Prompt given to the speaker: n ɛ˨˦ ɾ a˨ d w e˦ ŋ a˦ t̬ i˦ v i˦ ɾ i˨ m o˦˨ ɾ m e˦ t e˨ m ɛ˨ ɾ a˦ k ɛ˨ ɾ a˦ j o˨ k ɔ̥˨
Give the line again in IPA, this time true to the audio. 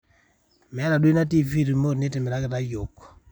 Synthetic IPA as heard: m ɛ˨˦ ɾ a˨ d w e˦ n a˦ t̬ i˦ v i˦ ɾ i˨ m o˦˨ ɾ n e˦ t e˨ m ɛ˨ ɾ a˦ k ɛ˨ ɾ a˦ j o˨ k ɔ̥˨